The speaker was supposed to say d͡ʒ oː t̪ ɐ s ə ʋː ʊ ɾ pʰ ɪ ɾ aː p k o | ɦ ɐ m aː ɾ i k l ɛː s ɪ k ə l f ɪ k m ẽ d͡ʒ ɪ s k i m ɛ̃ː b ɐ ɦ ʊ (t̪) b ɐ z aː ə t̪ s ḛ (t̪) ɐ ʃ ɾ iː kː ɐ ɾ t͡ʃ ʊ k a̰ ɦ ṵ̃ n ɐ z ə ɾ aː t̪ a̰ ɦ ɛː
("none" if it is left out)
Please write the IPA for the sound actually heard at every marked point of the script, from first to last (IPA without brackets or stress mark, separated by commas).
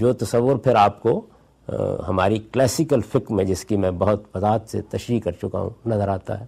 t̪, t̪